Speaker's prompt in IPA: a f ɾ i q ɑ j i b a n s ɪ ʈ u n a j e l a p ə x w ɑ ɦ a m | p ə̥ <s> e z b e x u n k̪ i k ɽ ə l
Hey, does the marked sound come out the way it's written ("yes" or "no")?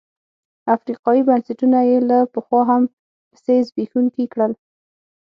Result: yes